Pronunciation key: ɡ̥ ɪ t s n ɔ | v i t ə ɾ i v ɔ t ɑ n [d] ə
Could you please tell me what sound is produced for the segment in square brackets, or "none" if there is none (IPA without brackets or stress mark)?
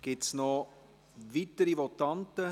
t